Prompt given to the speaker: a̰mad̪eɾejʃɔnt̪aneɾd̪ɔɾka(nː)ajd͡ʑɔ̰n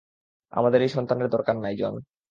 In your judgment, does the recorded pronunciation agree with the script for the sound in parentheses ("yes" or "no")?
yes